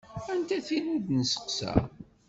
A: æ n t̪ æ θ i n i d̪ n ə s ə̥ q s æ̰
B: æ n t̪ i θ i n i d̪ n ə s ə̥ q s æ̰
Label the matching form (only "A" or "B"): A